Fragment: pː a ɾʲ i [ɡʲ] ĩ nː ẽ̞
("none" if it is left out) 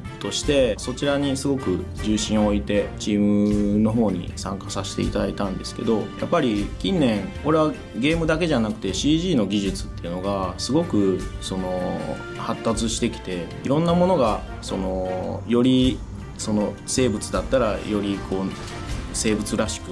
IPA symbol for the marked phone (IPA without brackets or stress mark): kʲ